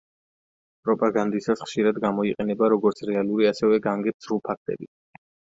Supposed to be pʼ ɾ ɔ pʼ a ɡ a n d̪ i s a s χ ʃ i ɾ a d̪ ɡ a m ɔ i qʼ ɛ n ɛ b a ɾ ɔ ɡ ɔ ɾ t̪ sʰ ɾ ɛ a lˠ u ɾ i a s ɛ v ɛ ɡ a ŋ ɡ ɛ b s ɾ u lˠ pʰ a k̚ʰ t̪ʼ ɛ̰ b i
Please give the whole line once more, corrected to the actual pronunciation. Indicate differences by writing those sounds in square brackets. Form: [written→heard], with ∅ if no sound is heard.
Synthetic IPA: pʼ ɾ ɔ pʼ a ɡ a n d̪ i s a s χ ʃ i ɾ a d̪ ɡ a m ɔ i qʼ ɛ n ɛ b a ɾ ɔ ɡ ɔ ɾ t̪ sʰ ɾ ɛ a lˠ u ɾ i a s ɛ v ɛ ɡ a ŋ ɡ ɛ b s ɾ u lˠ pʰ a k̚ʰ t̪ʼ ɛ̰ b i